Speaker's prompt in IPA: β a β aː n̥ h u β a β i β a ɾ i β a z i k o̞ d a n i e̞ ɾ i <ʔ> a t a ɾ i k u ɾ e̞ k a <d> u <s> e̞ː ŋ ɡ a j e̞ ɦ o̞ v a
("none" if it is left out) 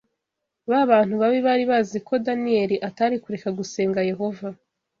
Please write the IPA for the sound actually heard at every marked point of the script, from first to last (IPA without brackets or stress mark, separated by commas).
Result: ʔ, ɡ, s